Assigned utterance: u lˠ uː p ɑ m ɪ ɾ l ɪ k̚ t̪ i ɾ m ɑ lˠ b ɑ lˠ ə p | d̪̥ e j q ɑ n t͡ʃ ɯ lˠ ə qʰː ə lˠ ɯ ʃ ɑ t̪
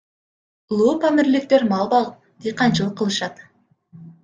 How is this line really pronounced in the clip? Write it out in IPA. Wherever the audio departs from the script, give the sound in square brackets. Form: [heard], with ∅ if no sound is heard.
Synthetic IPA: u lˠ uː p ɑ m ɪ ɾ l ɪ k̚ t̪ [e] ɾ m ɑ lˠ b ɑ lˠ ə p | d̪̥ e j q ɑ n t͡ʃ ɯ lˠ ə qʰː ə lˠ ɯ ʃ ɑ t̪